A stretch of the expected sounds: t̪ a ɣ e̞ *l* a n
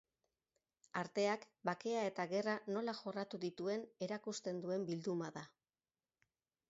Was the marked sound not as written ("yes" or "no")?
yes